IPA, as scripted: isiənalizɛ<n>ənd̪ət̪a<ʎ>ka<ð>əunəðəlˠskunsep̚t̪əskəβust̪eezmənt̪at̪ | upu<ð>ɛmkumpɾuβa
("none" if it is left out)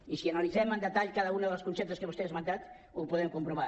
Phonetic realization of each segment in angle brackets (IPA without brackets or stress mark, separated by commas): m, ʎ, ð, ð